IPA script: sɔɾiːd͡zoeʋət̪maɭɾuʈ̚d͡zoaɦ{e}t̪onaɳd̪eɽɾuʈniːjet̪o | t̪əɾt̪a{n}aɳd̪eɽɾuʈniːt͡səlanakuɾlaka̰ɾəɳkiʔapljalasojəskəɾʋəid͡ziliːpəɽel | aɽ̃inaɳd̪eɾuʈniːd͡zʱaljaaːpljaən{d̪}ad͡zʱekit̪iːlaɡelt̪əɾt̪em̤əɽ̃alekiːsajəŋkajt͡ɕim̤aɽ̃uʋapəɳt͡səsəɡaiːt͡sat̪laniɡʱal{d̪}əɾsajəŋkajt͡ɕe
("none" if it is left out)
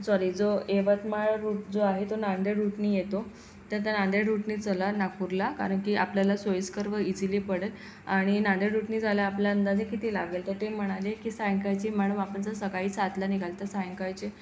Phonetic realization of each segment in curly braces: e, n, d̪, t̪

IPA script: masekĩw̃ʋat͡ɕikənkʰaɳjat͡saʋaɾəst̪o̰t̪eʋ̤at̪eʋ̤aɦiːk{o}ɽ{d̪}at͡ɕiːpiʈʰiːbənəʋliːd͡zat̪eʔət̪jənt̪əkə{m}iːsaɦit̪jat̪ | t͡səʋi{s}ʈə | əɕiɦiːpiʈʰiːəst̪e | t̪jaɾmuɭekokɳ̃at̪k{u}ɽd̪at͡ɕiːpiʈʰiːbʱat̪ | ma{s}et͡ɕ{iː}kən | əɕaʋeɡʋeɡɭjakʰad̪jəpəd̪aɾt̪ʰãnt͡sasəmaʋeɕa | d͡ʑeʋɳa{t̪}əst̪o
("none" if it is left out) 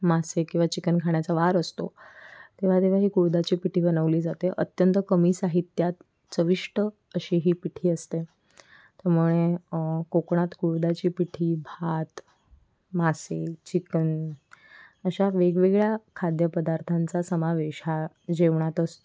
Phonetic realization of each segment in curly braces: u, d̪, m, ʂ, u, s, i, t̪

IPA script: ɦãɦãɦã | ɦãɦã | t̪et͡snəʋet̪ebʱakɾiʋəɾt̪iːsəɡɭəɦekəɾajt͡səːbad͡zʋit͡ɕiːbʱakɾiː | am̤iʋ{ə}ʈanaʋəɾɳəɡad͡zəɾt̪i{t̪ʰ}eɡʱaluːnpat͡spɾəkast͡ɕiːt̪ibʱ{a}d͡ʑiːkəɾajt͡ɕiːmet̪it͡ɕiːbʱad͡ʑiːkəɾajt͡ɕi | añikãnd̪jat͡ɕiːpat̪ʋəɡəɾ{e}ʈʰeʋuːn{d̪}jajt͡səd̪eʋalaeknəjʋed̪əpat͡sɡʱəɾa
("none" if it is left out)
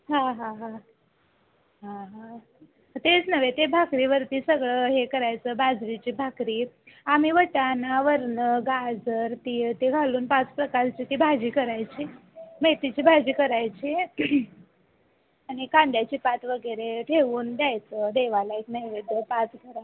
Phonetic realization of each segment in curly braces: ə, t̪, a, e, d̪

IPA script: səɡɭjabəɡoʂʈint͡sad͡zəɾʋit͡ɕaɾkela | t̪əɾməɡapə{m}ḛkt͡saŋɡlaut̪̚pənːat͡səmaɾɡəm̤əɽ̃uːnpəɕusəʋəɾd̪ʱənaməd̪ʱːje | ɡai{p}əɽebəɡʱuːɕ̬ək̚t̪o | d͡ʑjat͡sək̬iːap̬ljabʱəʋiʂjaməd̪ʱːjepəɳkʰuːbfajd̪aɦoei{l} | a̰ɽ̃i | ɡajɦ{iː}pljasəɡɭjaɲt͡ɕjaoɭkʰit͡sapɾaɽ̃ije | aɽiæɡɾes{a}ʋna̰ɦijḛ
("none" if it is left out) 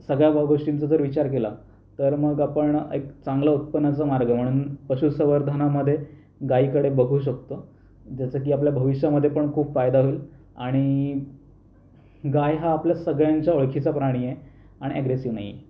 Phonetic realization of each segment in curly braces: ɳ, k, l, aː, i

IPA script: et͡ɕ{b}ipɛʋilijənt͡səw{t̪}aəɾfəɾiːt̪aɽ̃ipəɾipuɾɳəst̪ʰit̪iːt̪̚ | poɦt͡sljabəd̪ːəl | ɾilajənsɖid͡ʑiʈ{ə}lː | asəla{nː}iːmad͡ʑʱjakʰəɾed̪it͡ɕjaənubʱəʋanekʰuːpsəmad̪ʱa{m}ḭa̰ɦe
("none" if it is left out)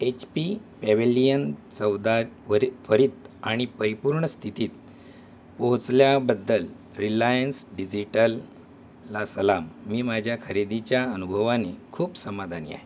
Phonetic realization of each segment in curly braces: p, d̪, ə, mː, n

